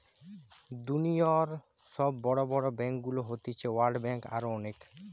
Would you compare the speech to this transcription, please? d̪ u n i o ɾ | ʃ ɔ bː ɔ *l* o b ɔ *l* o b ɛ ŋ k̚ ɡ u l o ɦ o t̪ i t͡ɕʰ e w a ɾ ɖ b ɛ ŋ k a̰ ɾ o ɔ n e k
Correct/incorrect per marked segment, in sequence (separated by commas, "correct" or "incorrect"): incorrect, incorrect